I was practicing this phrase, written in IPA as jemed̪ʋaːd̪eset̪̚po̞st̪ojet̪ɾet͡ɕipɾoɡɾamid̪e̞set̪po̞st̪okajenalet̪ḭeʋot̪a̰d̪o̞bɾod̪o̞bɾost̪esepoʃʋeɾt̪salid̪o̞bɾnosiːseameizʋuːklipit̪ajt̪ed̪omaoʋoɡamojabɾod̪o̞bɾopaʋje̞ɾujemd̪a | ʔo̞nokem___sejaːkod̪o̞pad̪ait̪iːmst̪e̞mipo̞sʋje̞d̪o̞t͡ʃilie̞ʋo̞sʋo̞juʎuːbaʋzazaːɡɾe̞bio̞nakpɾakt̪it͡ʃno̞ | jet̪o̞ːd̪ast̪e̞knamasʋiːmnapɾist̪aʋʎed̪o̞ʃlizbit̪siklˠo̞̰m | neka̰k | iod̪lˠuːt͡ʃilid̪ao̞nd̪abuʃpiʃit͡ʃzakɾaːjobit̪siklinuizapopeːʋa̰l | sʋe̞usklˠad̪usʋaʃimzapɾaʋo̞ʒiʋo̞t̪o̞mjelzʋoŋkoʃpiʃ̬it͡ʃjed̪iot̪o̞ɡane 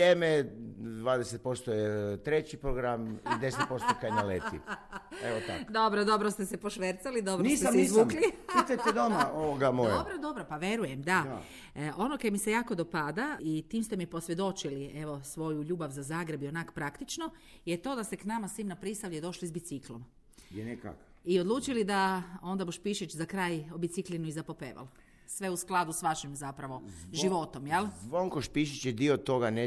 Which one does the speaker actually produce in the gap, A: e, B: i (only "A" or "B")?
B